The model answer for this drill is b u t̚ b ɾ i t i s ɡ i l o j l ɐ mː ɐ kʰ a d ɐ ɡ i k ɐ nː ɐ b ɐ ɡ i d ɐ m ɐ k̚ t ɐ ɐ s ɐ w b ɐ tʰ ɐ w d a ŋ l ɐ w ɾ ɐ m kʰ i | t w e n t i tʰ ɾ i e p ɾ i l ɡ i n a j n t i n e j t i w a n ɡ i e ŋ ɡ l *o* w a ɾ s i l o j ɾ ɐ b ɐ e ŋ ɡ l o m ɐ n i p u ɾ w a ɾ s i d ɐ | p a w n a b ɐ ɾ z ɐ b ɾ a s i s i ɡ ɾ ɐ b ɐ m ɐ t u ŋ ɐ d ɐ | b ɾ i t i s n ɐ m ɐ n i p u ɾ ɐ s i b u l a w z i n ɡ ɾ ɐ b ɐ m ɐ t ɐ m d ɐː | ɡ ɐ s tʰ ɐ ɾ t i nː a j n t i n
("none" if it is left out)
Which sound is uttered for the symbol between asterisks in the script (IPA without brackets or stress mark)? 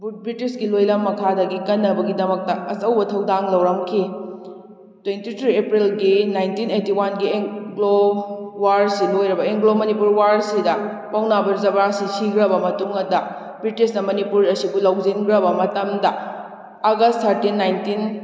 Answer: o